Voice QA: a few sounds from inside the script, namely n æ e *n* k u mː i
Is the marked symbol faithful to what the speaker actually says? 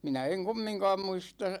no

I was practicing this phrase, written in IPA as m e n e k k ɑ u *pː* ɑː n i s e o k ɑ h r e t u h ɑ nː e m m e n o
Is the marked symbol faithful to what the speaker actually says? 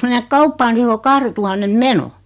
yes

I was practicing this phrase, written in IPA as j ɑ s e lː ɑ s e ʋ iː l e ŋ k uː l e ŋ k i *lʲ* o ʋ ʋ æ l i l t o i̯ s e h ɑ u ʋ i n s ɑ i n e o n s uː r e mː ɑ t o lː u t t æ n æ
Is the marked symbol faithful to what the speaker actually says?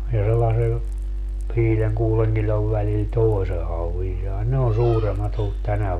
yes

